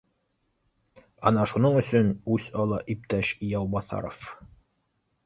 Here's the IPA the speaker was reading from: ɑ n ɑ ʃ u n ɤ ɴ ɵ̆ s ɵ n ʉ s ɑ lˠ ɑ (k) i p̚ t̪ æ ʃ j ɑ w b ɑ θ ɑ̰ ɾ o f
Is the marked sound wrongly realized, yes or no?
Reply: yes